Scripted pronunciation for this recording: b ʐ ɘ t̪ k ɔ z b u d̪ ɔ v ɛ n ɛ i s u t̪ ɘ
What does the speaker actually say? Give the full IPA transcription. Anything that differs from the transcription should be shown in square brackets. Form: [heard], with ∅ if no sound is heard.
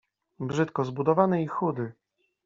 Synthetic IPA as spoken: b ʐ ɘ t̪ k ɔ z b u d̪ ɔ v [a] n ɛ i [x] u [d̪] ɘ